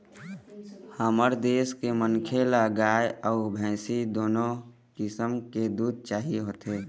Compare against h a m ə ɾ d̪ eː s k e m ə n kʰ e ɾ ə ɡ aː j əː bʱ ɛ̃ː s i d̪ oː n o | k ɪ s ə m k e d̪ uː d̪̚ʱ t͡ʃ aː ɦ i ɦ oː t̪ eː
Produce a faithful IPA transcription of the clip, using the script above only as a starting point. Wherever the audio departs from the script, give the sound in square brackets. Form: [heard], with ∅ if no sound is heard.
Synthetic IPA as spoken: h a m ə ɾ d̪ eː s k e m ə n kʰ e [l] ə ɡ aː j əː bʱ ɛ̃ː s i d̪ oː n o | k ɪ s ə m k e d̪ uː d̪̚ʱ t͡ʃ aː ɦ i ɦ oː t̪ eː